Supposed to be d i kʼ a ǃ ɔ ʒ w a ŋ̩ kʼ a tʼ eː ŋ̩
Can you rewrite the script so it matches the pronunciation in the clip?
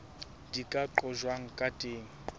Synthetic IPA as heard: d i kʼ a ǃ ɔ ʒ w a ŋ̩ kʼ a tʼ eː ŋ̩